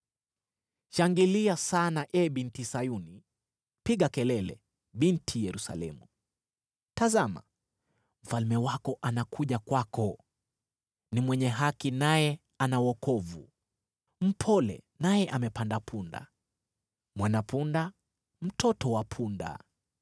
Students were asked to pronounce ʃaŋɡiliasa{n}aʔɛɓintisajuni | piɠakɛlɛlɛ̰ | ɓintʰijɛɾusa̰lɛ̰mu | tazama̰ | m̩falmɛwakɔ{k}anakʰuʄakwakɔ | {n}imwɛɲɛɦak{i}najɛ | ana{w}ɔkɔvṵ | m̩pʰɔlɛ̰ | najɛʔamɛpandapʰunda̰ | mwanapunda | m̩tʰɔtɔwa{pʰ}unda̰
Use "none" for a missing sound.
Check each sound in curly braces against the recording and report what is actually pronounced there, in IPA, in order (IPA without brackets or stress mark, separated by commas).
n, ʔ, n, i, w, pʰ